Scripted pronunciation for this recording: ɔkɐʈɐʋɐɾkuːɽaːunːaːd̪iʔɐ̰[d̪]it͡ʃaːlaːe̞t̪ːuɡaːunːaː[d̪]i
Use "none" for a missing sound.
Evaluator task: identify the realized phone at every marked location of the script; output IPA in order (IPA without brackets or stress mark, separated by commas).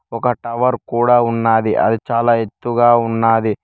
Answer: d̪, d̪